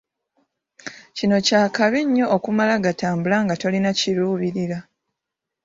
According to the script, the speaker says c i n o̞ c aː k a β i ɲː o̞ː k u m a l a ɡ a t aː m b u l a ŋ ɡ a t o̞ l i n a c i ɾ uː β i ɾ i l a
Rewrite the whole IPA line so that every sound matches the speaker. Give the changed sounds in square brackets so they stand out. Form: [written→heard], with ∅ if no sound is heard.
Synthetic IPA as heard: c i n o̞ c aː k a β i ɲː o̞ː k u m a l a ɡ a t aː m b u l a ŋ ɡ a t o̞ l i n a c i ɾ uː β i ɾ i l a